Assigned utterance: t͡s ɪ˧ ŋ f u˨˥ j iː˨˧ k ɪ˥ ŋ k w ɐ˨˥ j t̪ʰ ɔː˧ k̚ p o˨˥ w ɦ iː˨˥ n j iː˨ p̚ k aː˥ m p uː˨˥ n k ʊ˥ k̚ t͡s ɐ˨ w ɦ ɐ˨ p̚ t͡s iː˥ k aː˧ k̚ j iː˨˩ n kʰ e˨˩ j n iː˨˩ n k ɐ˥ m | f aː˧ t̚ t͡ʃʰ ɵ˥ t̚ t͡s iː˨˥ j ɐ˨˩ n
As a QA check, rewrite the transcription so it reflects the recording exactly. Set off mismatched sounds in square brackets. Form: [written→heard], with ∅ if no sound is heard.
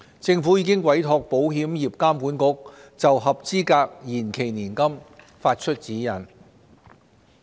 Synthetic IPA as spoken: t͡s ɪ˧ ŋ f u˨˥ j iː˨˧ k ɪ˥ ŋ k w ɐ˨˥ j t̪ʰ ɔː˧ k̚ p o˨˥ w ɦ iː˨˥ [n→m] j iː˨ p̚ k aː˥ m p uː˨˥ n k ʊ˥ k̚ t͡s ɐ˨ w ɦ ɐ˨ p̚ t͡s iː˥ k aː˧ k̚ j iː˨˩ n kʰ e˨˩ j n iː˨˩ n k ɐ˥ m | f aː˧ t̚ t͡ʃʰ ɵ˥ t̚ t͡s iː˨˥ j ɐ˨˩ n